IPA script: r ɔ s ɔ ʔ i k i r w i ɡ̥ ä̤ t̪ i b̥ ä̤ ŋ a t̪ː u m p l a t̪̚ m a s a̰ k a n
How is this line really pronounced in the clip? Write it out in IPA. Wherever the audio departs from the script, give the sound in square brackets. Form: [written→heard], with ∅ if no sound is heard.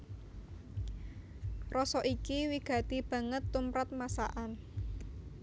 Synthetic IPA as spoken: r ɔ s ɔ ʔ i k i [r→∅] w i ɡ̥ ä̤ t̪ i b̥ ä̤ ŋ [a→ə] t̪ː u m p [l→ɾ] a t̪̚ m a s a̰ [k→ʔ] a n

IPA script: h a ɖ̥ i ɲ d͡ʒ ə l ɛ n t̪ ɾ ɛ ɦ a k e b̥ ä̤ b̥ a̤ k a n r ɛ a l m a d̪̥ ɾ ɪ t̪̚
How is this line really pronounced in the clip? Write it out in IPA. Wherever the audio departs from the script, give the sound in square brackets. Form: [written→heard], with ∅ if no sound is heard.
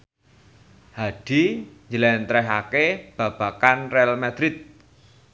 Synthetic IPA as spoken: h a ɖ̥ i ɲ d͡ʒ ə l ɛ n t̪ ɾ ɛ ɦ a k e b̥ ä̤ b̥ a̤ k a n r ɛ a l m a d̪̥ ɾ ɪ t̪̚

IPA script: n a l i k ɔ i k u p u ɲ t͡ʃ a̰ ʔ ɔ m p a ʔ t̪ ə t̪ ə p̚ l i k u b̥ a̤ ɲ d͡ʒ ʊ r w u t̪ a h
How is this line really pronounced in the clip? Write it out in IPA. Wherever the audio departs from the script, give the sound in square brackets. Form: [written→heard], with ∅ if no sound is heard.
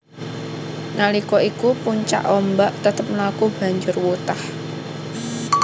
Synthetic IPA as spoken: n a l i k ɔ i k u p u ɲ t͡ʃ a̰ ʔ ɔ m [p→b] a ʔ t̪ ə t̪ ə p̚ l [i→a] k u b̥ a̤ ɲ d͡ʒ ʊ r w u t̪ a h

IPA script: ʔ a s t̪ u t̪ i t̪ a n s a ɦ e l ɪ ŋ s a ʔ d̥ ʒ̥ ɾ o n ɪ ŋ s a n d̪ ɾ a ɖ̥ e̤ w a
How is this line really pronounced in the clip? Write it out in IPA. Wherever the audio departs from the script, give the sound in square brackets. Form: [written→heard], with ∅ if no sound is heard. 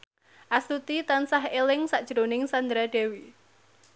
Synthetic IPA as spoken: ʔ a s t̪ u t̪ i t̪ a n s a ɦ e l ɪ ŋ s a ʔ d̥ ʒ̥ ɾ o n ɪ ŋ s a n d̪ ɾ a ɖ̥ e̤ w [a→i]

